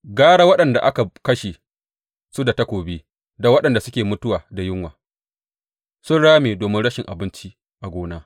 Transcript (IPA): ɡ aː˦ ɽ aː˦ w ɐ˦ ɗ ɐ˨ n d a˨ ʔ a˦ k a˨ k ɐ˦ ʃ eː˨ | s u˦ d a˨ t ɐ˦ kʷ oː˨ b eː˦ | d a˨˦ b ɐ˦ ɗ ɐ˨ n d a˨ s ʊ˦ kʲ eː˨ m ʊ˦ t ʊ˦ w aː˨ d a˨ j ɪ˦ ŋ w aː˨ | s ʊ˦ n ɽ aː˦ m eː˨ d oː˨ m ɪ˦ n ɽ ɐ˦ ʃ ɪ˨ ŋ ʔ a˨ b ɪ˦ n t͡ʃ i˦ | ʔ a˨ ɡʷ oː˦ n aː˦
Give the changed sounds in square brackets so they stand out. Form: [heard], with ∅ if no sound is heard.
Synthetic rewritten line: ɡ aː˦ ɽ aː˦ w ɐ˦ ɗ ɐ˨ n d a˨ ʔ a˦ k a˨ k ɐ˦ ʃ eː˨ | s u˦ d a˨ t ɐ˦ kʷ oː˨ b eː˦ | d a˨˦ [w] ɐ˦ ɗ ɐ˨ n d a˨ s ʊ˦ kʲ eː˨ m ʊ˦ t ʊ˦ w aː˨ d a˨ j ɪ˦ ŋ w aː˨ | s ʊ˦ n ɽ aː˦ m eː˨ d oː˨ m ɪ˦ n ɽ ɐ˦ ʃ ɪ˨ ŋ ʔ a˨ b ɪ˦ n t͡ʃ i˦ | ʔ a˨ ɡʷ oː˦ n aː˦

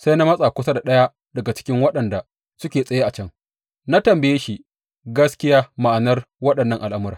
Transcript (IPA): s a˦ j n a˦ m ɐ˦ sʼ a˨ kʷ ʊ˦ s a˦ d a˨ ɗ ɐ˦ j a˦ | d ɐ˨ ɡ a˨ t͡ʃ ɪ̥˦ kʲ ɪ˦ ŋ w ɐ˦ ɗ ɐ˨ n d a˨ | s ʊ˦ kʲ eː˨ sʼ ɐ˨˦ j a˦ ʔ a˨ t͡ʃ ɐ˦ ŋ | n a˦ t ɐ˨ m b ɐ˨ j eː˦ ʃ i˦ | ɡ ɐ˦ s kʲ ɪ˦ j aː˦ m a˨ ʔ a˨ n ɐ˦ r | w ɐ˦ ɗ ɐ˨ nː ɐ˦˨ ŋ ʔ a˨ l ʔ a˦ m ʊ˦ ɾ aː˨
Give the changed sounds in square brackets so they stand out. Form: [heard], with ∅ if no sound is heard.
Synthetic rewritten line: s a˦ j n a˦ m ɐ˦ sʼ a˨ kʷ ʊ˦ s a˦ d a˨ ɗ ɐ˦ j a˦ | d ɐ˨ ɡ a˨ t͡ʃ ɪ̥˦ kʲ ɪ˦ ŋ w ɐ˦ ɗ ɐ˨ n d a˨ | s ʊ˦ kʲ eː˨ sʼ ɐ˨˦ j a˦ ʔ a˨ t͡ʃ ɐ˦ ŋ | n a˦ t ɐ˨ m b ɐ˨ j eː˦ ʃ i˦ | ɡ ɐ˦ s kʲ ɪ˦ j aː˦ m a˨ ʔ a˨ n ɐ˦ r | w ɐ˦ ɗ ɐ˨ nː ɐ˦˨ ŋ ʔ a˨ l ʔ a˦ m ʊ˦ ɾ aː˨

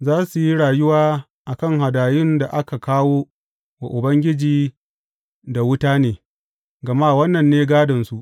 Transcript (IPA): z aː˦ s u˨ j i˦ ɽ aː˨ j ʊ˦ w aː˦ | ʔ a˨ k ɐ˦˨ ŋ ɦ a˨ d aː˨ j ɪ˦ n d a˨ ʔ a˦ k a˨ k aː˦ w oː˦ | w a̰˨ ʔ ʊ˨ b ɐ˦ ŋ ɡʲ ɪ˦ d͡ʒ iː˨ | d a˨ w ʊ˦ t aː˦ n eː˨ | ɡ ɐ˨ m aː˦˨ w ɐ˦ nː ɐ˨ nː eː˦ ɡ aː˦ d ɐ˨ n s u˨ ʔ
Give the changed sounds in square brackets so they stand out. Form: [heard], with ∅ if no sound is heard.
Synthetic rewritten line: z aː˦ s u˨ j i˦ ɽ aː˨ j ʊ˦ w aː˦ | ʔ a˨ k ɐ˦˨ ŋ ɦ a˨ d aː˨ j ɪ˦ n d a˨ ʔ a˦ k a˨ k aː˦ w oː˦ | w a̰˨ ʔ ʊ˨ b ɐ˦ ŋ ɡʲ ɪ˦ d͡ʒ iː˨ | d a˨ w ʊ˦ t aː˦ n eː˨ | ɡ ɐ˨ m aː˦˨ w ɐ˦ nː ɐ˨ nː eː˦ ɡ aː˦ d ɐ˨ n s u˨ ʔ

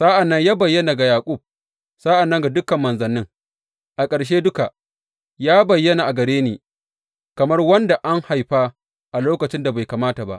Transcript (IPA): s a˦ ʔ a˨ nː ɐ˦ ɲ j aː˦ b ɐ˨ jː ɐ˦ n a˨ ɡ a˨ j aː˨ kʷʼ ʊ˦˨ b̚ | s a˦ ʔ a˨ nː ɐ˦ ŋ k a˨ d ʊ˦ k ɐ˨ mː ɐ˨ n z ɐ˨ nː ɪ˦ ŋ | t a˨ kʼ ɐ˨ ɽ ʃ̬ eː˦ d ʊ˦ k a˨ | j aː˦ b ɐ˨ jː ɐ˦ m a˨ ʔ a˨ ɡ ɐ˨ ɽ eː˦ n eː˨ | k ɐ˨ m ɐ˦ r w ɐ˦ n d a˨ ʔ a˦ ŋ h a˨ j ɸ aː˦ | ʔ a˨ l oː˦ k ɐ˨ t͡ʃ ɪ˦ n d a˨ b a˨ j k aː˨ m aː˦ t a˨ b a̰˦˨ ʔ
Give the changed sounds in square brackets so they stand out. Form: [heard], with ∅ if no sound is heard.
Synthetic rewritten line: s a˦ ʔ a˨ nː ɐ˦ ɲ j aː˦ b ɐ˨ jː ɐ˦ n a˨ ɡ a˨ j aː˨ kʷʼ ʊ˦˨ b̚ | s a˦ ʔ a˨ nː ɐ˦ ŋ [ɡ] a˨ d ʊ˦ k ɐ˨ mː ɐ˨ n z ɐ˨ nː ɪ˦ ŋ | [ʔ] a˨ kʼ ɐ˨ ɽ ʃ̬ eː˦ d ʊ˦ k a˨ | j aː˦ b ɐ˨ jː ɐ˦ [n] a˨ ʔ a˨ ɡ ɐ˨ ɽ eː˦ n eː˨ | k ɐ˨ m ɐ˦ r w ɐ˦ n d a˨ ʔ a˦ ŋ h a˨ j ɸ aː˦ | ʔ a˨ l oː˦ k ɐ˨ t͡ʃ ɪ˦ n d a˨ b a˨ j k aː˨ m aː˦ t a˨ b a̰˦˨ ʔ

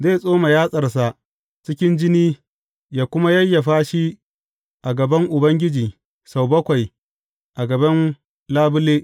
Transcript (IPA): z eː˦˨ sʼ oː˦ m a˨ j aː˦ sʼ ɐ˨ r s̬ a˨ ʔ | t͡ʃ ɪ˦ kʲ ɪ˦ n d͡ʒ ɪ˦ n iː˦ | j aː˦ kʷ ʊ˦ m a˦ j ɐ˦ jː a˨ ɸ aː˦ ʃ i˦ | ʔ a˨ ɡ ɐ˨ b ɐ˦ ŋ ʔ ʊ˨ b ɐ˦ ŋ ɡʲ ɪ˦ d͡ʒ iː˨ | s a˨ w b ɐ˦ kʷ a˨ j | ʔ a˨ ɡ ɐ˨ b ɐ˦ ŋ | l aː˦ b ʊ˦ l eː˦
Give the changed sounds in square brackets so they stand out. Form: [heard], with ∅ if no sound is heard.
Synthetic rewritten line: z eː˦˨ sʼ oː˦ m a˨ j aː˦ sʼ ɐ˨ r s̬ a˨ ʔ | t͡ʃ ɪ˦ kʲ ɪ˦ n d͡ʒ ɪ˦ n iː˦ | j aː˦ kʷ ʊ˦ m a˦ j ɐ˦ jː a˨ ɸ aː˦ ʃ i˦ | ʔ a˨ ɡ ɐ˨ b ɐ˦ ŋ ʔ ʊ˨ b ɐ˦ ŋ ɡʲ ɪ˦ d͡ʒ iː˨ | s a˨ w b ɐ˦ kʷ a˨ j | ʔ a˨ ɡ ɐ˨ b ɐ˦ [n] | l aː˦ b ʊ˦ l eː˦

